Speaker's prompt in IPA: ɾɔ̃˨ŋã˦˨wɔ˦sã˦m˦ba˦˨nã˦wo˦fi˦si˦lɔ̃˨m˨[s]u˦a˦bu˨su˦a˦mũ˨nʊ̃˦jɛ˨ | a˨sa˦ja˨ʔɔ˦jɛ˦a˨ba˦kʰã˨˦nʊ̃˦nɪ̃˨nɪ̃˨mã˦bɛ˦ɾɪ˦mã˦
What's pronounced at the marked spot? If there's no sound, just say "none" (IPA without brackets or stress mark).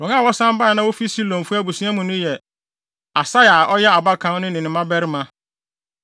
f